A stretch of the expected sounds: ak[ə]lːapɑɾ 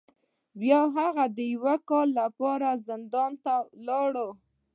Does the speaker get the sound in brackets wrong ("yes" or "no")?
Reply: yes